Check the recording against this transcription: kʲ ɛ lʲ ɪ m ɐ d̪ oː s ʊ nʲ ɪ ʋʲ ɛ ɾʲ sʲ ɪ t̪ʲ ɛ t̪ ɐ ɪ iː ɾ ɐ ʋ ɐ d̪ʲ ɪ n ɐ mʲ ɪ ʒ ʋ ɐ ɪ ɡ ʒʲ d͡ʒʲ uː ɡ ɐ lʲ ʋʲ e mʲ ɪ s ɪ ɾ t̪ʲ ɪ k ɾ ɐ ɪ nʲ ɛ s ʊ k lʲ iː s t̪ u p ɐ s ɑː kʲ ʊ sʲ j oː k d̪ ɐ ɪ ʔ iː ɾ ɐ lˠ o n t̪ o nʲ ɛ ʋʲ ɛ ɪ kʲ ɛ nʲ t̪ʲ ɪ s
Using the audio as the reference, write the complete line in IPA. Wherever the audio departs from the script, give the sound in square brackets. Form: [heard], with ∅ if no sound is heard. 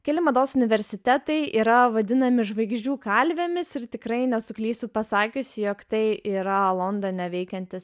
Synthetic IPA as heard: kʲ ɛ lʲ ɪ m ɐ d̪ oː s ʊ nʲ ɪ ʋʲ ɛ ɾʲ sʲ ɪ t̪ʲ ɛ t̪ ɐ ɪ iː ɾ ɐ ʋ ɐ d̪ʲ ɪ n ɐ mʲ ɪ ʒ ʋ ɐ ɪ ɡ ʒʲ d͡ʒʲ uː [k] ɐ lʲ ʋʲ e mʲ ɪ s ɪ ɾ t̪ʲ ɪ k ɾ ɐ ɪ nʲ ɛ s ʊ k lʲ iː s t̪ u p ɐ s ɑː kʲ ʊ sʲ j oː k [t̪] ɐ ɪ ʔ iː ɾ ɐ lˠ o n [d̪] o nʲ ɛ ʋʲ ɛ ɪ kʲ ɛ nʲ t̪ʲ ɪ s

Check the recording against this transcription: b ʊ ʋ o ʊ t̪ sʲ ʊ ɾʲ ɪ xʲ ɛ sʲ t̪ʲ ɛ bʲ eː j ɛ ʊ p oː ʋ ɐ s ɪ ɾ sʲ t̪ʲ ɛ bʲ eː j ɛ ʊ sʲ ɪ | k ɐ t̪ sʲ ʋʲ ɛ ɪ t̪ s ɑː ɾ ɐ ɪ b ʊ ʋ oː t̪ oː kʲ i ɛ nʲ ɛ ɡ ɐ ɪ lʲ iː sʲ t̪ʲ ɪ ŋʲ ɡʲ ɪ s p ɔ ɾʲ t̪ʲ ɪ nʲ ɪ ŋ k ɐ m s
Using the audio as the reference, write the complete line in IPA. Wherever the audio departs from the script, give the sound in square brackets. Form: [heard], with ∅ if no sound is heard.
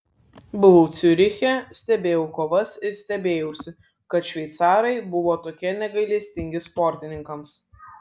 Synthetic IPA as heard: b ʊ ʋ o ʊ t̪ sʲ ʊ ɾʲ ɪ xʲ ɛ sʲ t̪ʲ ɛ bʲ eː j ɛ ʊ [k] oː ʋ ɐ s ɪ ɾ sʲ t̪ʲ ɛ bʲ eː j ɛ ʊ sʲ ɪ | k ɐ t̪ [ʃʲ] ʋʲ ɛ ɪ t̪ s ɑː ɾ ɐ ɪ b ʊ ʋ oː t̪ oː kʲ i ɛ nʲ ɛ ɡ ɐ ɪ lʲ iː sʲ t̪ʲ ɪ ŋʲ ɡʲ ɪ s p ɔ ɾʲ t̪ʲ ɪ nʲ ɪ ŋ k ɐ m s

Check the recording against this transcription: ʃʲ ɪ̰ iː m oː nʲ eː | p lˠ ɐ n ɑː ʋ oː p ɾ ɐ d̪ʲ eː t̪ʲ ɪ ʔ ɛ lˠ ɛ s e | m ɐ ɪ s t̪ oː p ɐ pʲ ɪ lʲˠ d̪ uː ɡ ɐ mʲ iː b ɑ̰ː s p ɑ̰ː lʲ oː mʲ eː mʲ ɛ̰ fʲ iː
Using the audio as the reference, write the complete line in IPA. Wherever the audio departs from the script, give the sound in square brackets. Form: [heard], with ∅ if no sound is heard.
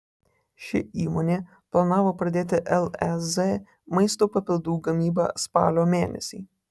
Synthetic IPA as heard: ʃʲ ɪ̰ iː m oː nʲ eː | p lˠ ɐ n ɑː ʋ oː p ɾ ɐ d̪ʲ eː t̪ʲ ɪ ʔ ɛ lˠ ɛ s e | m ɐ ɪ s t̪ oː p ɐ pʲ ɪ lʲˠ d̪ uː ɡ ɐ mʲ iː b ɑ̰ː s p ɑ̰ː lʲ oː mʲ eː [nʲ] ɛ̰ [sʲ] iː

